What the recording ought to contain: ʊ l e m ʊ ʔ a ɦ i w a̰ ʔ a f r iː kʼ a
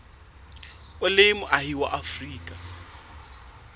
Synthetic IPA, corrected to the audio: ʊ l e m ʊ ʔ a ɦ i w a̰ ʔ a f r iː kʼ a